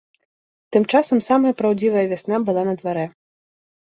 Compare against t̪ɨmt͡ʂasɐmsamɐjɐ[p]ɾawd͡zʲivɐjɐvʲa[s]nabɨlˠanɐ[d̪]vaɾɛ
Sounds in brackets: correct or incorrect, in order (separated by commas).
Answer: correct, correct, correct